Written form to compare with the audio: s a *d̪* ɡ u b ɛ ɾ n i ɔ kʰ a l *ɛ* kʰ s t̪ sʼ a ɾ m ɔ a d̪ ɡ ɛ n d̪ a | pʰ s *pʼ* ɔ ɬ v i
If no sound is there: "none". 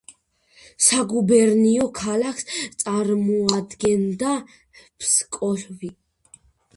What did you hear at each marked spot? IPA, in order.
none, a, kʼ

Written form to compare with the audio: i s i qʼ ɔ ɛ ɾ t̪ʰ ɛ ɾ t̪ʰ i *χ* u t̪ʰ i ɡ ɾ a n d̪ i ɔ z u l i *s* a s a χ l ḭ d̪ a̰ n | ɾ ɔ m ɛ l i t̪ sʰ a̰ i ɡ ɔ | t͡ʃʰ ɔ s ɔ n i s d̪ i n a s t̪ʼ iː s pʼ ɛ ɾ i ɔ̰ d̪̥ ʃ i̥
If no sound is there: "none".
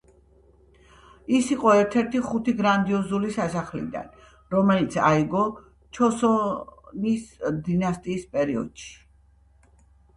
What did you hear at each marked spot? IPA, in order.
χ, s

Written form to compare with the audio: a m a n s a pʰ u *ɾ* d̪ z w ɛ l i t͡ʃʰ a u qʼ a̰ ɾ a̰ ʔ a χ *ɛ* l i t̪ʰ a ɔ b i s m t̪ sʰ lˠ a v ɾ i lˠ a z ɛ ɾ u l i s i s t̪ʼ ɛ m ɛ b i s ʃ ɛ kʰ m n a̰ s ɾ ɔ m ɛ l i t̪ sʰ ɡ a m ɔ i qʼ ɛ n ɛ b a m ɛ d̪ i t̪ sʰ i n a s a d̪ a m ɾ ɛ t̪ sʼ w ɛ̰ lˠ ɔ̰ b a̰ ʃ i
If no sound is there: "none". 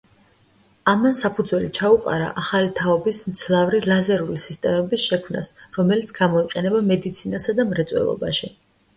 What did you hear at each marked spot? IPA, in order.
none, a

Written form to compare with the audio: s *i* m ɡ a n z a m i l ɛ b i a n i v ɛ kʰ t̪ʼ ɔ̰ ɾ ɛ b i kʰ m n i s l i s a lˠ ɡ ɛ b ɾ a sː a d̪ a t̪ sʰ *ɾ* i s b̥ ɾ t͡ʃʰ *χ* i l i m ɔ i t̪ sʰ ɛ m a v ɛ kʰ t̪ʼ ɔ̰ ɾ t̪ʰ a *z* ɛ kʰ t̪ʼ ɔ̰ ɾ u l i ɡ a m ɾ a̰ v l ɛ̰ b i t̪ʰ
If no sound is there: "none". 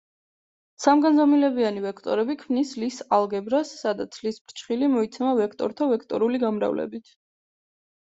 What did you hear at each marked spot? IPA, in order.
a, l, χ, v

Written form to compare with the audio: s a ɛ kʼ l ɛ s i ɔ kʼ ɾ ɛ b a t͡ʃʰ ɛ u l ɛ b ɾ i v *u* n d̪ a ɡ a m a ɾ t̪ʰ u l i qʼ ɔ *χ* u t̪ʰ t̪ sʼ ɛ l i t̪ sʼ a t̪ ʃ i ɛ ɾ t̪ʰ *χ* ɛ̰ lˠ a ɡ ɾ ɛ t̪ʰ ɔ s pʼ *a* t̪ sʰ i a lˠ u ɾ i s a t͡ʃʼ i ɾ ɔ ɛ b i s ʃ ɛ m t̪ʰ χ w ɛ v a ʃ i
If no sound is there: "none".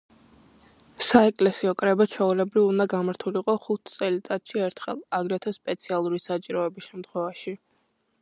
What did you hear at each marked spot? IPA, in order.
u, χ, χ, ɛ

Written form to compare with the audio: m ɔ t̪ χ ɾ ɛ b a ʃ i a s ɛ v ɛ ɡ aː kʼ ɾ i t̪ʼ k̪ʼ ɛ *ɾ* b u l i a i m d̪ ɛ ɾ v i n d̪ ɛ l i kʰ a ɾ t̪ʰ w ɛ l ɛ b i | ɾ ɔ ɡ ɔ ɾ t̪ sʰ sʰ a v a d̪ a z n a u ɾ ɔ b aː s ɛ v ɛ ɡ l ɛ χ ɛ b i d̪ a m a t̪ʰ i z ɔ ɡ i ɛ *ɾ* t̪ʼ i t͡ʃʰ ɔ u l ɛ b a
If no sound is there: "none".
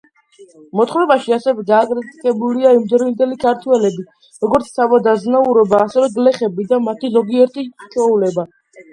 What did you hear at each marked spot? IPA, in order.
none, ɾ

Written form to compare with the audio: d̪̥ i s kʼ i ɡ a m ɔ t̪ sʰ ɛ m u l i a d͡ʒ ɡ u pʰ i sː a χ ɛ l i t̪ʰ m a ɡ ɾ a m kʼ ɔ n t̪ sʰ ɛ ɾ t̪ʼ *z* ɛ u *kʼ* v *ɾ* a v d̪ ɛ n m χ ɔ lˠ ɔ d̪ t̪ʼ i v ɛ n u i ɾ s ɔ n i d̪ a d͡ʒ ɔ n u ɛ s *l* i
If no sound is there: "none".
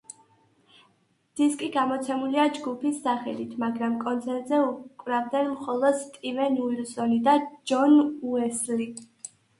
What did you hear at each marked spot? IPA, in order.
z, kʼ, ɾ, l

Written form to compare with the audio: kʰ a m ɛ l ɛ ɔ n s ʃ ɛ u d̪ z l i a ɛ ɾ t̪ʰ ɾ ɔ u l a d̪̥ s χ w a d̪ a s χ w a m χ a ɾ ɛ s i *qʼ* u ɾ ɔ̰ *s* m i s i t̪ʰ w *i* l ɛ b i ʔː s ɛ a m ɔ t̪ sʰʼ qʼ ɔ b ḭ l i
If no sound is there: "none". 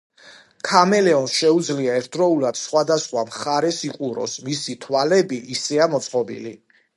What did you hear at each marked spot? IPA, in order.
qʼ, s, a

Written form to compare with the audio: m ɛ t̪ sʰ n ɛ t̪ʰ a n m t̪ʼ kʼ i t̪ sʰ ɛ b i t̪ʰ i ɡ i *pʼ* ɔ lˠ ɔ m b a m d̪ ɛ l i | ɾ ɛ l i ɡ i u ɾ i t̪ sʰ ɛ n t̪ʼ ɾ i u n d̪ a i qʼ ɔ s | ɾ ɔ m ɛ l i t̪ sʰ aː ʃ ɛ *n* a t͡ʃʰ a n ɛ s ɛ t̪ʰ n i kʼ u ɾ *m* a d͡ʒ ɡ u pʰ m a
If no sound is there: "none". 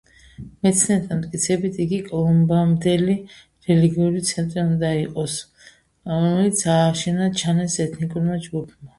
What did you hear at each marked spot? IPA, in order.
kʼ, n, m

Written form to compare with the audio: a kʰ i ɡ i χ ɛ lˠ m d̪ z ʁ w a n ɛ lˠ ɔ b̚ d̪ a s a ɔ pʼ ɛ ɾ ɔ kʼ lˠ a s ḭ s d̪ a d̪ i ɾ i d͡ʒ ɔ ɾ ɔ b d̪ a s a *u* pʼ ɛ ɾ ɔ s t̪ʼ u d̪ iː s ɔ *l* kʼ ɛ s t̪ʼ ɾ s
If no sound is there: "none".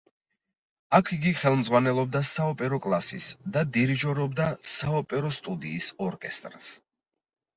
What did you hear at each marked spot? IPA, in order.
ɔ, ɾ

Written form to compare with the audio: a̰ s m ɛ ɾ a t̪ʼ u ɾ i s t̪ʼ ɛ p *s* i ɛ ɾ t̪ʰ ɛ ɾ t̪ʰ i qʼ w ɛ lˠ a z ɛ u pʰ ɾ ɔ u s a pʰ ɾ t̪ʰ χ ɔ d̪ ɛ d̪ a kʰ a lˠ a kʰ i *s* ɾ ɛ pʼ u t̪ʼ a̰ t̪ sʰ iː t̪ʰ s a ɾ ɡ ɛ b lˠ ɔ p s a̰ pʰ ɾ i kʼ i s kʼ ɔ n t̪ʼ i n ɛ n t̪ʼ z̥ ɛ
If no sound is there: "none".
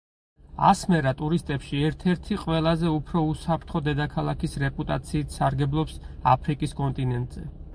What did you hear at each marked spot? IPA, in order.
ʃ, s

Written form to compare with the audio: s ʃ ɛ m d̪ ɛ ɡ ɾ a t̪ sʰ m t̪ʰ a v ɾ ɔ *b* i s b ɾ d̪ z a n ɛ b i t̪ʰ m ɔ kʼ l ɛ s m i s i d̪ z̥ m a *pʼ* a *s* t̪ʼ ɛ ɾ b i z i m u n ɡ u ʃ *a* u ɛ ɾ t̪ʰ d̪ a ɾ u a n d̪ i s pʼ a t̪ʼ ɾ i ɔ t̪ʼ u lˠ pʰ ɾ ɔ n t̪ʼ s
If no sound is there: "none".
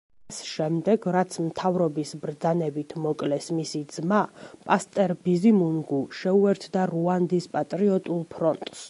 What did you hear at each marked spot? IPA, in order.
b, pʼ, s, ɛ

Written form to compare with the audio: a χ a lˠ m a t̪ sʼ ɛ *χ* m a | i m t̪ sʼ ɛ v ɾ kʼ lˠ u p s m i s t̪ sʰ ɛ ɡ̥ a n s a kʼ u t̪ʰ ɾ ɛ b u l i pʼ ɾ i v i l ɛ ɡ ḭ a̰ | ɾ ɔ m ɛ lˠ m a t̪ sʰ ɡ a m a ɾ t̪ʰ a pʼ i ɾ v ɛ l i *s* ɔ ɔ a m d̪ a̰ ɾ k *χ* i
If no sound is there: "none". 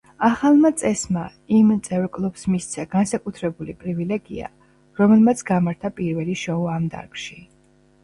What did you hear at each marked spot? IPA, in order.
s, ʃ, ʃ

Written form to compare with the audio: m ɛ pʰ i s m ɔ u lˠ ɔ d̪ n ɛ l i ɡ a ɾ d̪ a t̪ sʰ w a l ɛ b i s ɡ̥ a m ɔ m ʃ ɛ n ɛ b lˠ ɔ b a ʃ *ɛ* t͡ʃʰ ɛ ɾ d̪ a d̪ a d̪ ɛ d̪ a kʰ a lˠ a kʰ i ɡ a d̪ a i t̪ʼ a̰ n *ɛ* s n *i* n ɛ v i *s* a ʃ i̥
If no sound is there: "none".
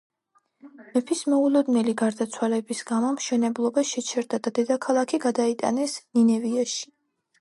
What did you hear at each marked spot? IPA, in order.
ɛ, ɛ, i, none

